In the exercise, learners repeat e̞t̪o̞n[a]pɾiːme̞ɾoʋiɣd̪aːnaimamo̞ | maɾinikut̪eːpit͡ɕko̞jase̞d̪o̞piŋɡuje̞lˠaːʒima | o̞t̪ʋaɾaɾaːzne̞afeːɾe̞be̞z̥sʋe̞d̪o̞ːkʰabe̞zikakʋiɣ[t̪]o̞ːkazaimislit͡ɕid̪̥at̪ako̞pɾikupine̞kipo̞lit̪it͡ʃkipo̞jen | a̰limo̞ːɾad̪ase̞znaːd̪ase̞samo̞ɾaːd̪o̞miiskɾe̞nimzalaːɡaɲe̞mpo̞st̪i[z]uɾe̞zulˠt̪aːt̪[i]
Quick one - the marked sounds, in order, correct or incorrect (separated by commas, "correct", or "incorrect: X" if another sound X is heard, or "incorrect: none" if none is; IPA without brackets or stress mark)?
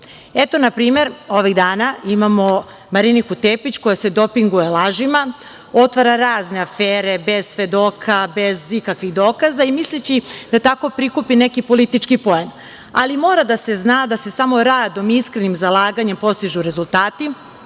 correct, incorrect: d̪, incorrect: ʒ, correct